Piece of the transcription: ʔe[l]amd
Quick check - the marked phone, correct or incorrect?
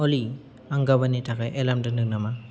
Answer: correct